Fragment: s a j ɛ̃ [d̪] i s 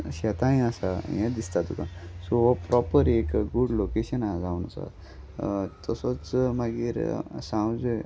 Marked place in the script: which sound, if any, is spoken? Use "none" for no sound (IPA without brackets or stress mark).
d̪